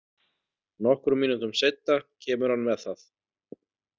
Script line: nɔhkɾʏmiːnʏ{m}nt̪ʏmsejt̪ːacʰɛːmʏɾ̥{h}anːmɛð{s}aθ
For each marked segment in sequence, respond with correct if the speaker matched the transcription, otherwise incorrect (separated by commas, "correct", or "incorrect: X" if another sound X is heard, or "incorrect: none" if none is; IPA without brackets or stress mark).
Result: incorrect: none, correct, incorrect: θ